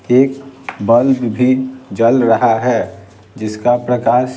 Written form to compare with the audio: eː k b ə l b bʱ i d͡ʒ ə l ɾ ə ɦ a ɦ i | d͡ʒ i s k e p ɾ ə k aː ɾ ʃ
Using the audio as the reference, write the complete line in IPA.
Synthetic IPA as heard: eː k b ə l b bʱ i d͡ʒ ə l ɾ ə ɦ a ɦ ɛ | d͡ʒ ɪ s k a p ɾ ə k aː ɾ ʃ